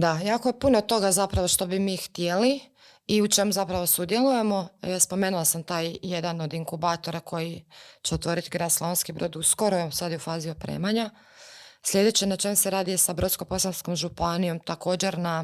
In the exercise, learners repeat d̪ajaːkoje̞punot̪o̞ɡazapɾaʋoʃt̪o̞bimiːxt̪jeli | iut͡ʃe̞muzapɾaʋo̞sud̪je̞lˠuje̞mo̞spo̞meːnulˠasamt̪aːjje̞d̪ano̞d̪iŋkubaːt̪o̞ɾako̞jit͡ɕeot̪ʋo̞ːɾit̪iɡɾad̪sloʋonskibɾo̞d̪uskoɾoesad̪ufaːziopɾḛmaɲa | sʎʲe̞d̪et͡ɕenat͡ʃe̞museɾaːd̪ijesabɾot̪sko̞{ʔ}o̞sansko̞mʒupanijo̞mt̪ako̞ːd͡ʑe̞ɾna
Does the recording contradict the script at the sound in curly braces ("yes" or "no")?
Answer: yes